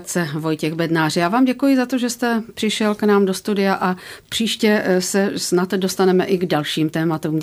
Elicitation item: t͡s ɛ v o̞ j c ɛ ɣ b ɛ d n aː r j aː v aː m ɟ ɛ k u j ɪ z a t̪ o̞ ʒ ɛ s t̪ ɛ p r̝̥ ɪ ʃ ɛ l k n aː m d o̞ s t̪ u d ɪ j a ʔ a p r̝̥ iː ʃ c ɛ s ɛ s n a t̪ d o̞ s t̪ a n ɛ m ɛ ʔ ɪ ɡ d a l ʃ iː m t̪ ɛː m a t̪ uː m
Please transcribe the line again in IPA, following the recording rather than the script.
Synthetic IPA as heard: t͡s ɛ v o̞ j c ɛ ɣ b ɛ d n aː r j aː v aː m ɟ ɛ k u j ɪ z a t̪ o̞ ʒ ɛ s t̪ ɛ p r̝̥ ɪ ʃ ɛ l k n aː m d o̞ s t̪ u d ɪ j a ʔ a p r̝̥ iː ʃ c ɛ s ɛ s n a t̪ d o̞ s t̪ a n ɛ m ɛ ʔ ɪ ɡ d a l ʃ iː m t̪ ɛː m a t̪ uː m